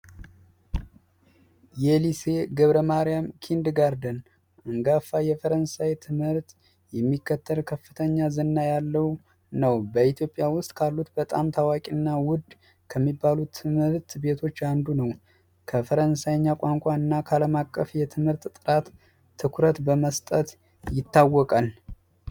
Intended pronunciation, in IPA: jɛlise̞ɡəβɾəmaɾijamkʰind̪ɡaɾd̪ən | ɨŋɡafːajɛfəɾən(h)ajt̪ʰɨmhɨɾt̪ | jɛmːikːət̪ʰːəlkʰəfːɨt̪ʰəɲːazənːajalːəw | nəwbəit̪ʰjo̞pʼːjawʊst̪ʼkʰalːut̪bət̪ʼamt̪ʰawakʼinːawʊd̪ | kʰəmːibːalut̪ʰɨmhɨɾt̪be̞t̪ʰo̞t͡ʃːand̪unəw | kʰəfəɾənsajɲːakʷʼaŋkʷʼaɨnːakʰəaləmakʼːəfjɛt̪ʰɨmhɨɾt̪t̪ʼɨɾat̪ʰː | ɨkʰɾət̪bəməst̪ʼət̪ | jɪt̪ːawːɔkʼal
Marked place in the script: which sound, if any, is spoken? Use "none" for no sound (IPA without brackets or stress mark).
s